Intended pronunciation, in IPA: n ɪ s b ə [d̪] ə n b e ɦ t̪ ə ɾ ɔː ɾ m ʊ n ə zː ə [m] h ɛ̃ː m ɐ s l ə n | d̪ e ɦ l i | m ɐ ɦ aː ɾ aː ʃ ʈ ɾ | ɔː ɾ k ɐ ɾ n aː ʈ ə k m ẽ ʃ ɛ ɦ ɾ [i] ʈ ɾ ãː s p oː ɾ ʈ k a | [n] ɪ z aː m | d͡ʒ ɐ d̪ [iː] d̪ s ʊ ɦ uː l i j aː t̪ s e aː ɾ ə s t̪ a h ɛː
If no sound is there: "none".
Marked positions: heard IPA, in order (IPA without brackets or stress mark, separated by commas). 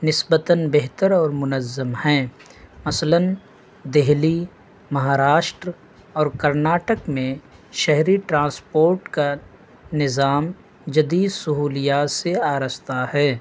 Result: t̪, m, i, n, iː